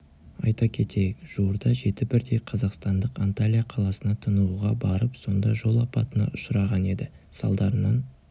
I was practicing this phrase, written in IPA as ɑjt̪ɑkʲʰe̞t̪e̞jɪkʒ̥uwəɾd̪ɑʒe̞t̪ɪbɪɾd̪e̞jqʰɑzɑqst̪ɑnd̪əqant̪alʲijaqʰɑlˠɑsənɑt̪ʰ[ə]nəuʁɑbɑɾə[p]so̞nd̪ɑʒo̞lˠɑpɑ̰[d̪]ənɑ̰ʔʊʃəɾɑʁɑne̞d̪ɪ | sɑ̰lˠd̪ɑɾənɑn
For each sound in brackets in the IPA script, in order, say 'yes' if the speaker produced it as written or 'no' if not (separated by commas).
yes, yes, no